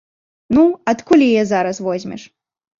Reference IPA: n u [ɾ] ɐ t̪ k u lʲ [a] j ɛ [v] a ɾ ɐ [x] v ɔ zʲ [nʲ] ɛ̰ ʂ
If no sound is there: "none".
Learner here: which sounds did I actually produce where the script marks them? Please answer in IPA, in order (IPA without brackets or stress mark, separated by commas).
none, i, z, s, mʲ